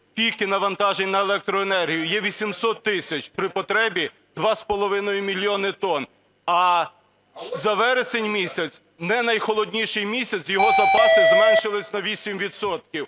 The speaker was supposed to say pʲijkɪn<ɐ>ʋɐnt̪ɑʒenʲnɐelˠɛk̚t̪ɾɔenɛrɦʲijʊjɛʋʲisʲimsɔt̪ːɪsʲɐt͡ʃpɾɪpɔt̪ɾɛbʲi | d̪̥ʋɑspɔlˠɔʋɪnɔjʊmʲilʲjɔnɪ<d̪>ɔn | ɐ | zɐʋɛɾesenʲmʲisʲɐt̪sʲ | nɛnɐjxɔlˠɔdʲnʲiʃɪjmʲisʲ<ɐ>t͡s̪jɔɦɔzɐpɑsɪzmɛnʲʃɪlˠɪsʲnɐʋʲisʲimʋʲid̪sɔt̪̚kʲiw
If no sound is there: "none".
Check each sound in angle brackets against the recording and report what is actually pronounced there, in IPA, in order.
ɐ, t̪, ɐ

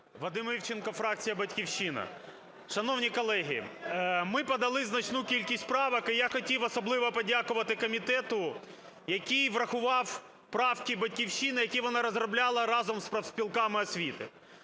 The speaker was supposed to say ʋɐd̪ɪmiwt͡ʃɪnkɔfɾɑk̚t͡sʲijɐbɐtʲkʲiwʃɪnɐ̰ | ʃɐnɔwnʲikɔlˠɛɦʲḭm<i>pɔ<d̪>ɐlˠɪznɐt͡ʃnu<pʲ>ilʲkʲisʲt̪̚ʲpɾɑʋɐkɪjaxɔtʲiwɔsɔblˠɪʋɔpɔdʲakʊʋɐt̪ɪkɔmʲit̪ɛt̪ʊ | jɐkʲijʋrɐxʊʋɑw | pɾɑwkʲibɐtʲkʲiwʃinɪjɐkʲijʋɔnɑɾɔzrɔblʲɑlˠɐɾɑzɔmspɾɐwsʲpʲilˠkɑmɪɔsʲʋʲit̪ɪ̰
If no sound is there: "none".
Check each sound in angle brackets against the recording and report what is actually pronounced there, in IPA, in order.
ɪ, d̪, kʲ

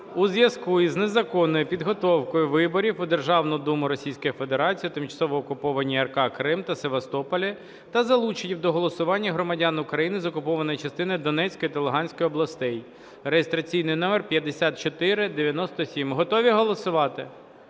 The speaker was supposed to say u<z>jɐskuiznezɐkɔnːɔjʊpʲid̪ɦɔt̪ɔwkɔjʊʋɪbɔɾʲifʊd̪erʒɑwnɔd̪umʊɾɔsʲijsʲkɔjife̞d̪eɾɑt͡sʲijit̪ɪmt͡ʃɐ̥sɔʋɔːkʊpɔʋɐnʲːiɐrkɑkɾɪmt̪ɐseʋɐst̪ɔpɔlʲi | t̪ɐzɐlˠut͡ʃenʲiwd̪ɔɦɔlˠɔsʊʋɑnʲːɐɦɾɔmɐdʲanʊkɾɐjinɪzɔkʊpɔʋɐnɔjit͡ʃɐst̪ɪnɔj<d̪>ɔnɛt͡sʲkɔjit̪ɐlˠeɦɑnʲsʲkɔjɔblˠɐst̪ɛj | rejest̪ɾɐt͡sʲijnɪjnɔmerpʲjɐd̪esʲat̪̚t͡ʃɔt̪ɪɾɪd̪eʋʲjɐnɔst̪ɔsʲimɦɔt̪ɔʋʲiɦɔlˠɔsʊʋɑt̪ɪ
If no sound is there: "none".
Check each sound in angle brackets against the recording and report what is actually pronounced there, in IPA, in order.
z, d̪

